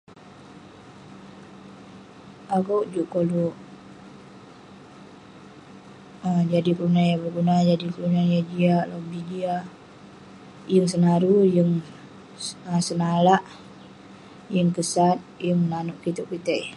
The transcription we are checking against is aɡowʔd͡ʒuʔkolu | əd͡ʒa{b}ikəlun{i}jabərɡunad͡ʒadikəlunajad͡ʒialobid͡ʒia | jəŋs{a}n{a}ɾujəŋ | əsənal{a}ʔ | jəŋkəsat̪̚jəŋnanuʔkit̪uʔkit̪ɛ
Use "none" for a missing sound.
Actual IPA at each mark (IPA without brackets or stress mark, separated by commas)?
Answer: d, a, ə, a, a